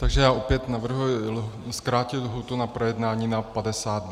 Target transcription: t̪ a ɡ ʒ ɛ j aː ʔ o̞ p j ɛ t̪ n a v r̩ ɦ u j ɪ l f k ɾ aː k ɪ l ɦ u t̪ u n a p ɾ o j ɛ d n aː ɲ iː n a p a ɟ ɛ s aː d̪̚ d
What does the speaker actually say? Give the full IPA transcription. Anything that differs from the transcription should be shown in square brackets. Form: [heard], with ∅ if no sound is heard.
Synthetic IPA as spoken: t̪ a ɡ ʒ ɛ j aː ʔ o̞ p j ɛ t̪ n a v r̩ ɦ u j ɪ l [s] k ɾ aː [c] ɪ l ɦ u t̪ u n a p ɾ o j ɛ d n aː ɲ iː n a p a [d] ɛ s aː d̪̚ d